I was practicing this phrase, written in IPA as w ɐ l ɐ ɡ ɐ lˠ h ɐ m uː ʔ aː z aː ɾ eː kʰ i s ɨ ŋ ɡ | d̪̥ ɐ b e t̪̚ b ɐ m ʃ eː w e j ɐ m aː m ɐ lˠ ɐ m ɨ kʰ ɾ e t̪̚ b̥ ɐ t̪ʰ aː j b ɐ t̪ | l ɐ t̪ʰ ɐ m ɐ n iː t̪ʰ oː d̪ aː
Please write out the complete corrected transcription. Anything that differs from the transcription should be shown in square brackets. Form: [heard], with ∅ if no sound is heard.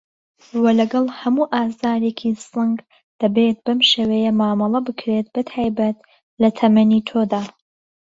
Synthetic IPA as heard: w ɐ l ɐ ɡ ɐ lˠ h ɐ m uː ʔ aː z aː ɾ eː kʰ i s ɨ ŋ ɡ | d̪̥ ɐ b e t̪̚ b ɐ m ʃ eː w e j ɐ m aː m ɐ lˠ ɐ [b] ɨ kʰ ɾ e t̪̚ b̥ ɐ t̪ʰ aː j b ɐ t̪ | l ɐ t̪ʰ ɐ m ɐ n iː t̪ʰ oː d̪ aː

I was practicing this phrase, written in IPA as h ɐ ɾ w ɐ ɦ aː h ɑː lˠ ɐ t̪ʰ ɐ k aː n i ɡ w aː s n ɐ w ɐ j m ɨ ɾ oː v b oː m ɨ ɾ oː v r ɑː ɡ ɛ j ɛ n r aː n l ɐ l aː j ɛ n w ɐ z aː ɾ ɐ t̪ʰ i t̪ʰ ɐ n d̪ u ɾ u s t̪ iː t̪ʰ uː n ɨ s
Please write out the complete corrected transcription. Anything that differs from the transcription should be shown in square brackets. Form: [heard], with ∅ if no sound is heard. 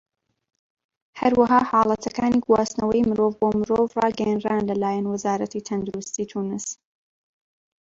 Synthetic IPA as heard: h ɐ ɾ w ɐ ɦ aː h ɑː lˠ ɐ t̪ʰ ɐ k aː n i ɡ w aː s n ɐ w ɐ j m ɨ ɾ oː v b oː m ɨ ɾ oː v r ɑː ɡ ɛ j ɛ n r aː n l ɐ l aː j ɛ n w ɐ z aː ɾ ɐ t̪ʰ i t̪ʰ ɐ n d̪ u ɾ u s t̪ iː t̪ʰ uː n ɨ s

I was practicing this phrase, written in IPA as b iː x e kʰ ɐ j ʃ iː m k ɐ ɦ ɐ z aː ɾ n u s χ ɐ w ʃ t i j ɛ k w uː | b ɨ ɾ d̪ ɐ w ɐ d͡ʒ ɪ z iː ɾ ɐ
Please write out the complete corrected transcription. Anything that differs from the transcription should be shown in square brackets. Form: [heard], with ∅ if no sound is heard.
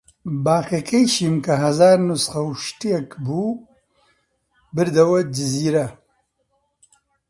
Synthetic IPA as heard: b [aː] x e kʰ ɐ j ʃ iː m k ɐ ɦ ɐ z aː ɾ n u s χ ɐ w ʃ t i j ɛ k [b] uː | b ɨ ɾ d̪ ɐ w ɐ d͡ʒ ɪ z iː ɾ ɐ

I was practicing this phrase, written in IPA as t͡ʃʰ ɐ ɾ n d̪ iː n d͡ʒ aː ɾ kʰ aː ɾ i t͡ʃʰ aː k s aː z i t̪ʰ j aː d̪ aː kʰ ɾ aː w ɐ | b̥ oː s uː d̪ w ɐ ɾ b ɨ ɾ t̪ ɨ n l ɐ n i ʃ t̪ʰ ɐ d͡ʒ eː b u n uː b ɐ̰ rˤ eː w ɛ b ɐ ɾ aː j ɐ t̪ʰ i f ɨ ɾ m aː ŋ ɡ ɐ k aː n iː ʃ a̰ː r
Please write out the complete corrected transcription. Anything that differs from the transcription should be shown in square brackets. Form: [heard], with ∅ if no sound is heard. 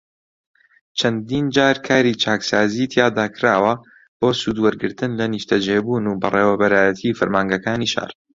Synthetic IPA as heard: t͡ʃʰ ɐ [∅] n d̪ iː n d͡ʒ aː ɾ kʰ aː ɾ i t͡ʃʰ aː k s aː z i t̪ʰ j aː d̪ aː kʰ ɾ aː w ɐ | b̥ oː s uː d̪ w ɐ ɾ [ɡ] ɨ ɾ t̪ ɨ n l ɐ n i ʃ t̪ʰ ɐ d͡ʒ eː b u n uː b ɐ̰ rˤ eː w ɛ b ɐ ɾ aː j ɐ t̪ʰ i f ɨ ɾ m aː ŋ ɡ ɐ k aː n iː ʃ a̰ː r

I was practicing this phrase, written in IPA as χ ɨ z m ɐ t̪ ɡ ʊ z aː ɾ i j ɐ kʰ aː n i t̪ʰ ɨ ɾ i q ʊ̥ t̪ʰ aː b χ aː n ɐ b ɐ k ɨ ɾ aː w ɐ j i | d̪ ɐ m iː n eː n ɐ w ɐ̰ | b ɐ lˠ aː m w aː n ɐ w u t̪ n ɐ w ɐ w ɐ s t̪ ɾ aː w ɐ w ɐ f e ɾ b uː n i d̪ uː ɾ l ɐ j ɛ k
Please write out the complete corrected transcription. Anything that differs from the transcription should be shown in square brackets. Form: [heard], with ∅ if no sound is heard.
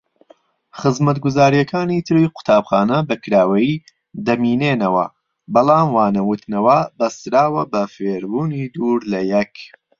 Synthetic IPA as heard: χ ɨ z m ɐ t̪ ɡ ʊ z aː ɾ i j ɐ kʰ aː n i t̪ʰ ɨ ɾ i q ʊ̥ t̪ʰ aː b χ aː n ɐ b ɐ k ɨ ɾ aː w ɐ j i | d̪ ɐ m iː n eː n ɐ w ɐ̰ | b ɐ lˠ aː m w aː n ɐ w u t̪ n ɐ w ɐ [b] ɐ s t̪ ɾ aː w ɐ [b] ɐ f e ɾ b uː n i d̪ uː ɾ l ɐ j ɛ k

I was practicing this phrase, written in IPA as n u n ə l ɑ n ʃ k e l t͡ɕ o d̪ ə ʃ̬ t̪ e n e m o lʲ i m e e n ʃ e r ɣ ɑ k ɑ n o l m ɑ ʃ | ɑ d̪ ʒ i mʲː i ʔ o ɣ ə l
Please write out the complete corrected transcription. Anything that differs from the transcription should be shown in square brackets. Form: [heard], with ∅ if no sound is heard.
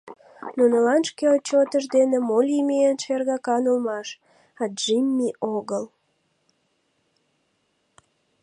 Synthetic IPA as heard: n u n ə l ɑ n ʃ k e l t͡ɕ o [t̪] ə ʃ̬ [d̪] e n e m o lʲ i m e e n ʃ e r ɣ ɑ k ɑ n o l m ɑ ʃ | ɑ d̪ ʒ i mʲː i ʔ o ɣ ə l

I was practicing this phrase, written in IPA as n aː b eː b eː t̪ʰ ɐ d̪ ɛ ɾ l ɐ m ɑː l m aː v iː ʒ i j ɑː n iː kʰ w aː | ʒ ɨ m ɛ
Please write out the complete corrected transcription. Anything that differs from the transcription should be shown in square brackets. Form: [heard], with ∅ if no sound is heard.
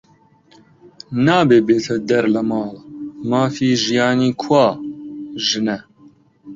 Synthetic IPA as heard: n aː b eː b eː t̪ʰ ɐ d̪ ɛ ɾ l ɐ m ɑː l m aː [f] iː ʒ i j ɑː n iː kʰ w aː | ʒ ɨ [n] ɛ

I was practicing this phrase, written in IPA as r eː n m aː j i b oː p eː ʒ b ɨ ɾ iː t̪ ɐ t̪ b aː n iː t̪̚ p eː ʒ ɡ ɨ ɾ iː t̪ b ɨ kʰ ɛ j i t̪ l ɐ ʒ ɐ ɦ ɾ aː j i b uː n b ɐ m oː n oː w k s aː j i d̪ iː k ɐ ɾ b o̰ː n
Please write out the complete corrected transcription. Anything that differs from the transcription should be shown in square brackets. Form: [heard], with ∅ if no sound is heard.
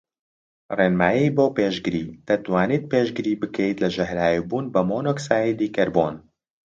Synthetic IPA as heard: r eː n m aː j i b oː p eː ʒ [ɡ] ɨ ɾ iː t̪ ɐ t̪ [w] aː n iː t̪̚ p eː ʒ ɡ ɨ ɾ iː [∅] b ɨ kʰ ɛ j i t̪ l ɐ ʒ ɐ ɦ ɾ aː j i b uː n b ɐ m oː n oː [∅] k s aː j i d̪ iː k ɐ ɾ b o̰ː n

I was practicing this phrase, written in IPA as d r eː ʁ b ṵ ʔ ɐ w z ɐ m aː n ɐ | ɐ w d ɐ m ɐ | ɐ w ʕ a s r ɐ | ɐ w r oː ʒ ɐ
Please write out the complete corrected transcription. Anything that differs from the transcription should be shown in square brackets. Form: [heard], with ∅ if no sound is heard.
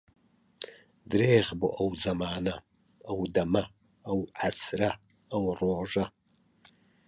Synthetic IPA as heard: d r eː ʁ b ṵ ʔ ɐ w z ɐ m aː n ɐ | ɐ w d ɐ m ɐ | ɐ w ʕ a s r ɐ | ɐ w r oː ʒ ɐ

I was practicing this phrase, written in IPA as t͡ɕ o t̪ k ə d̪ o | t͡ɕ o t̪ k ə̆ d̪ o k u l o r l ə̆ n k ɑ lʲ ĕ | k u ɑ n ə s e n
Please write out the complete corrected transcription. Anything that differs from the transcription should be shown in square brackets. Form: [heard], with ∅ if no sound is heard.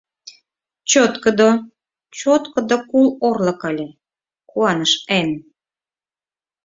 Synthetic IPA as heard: t͡ɕ o t̪ k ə d̪ o | t͡ɕ o t̪ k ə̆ d̪ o k u l o r l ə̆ [∅] k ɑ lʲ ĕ | k u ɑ n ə [ʃ] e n

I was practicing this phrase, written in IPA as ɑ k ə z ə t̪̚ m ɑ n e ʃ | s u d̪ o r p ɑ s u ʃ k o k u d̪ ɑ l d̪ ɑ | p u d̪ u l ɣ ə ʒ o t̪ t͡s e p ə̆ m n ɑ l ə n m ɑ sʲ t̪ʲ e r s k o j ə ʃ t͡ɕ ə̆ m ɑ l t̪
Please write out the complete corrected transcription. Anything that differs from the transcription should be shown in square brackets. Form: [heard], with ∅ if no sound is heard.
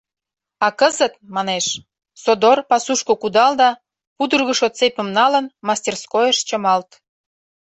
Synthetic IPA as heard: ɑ k ə z ə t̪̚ m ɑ n e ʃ | s [o] d̪ o r p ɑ s u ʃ k o k u d̪ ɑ l d̪ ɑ | p u d̪ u [r] ɣ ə [ʃ] o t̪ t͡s e p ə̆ m n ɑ l ə n m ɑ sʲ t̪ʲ e r s k o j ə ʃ t͡ɕ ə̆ m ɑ l t̪

